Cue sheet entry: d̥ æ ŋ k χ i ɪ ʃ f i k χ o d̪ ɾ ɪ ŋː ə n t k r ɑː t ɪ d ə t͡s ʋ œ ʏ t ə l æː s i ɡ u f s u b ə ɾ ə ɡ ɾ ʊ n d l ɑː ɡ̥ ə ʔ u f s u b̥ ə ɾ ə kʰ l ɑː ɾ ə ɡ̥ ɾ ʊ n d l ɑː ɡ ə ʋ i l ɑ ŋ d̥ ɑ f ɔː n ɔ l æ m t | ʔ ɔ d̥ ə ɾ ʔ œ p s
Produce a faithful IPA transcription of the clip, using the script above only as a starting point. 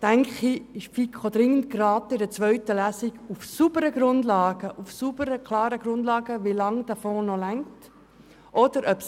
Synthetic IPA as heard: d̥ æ ŋ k χ i ɪ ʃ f i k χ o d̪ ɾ ɪ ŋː ə n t k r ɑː t ɪ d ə t͡s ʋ œ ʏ t ə l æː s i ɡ u f s u b ə ɾ ə ɡ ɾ ʊ n d l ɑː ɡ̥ ə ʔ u f s u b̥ ə ɾ ə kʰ l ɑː ɾ ə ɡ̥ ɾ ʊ n d l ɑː ɡ ə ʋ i l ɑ ŋ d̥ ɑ f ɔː n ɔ l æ ŋ t | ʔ ɔ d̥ ə ɾ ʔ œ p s